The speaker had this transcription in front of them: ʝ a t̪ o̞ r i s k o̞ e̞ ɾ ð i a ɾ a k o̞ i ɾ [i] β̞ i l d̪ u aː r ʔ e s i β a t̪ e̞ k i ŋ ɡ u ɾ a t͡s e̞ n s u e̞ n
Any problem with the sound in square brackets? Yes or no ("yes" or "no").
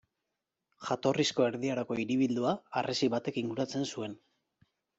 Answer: no